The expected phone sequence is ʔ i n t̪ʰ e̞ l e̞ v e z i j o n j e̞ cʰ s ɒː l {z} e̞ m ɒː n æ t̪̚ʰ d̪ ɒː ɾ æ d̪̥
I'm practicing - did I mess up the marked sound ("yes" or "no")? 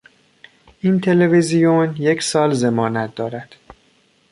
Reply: no